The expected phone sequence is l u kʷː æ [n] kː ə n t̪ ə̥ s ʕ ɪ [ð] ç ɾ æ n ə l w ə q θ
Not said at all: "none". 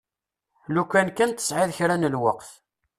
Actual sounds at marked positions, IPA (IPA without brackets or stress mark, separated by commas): n, ð